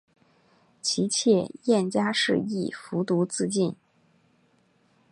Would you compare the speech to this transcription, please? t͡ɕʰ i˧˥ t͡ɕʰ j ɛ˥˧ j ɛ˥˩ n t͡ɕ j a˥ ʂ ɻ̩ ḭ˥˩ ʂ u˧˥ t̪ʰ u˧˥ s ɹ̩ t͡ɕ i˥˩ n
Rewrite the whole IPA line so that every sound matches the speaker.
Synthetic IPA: t͡ɕʰ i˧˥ t͡ɕʰ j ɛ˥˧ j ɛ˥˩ n t͡ɕ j a˥ ʂ ɻ̩ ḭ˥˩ f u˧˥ t̪ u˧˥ t͡s ɹ̩ t͡ɕ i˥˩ n